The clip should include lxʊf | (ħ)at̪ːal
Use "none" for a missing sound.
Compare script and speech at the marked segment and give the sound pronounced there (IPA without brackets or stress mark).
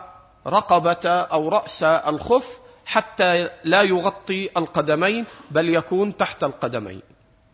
ħ